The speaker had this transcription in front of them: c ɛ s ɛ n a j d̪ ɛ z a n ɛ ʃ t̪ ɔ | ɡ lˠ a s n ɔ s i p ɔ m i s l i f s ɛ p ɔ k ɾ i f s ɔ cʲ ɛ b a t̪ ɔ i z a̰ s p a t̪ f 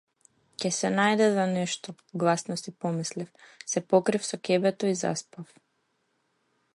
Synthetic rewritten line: c ɛ s ɛ n a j d̪ ɛ z a n ɛ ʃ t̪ ɔ | ɡ lˠ a s n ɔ s i p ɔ m i s l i f s ɛ p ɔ k ɾ i f s ɔ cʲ ɛ b ɛ t̪ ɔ i z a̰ s p a f